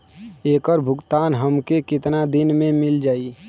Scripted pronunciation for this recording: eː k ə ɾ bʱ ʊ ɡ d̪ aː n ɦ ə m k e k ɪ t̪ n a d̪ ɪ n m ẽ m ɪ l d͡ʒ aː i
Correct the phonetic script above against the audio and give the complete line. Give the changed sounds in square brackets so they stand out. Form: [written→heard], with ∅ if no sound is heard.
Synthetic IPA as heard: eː k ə ɾ bʱ ʊ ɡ [d̪→t̪] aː n ɦ ə m k e k ɪ t̪ n a d̪ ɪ n m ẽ m ɪ l d͡ʒ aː i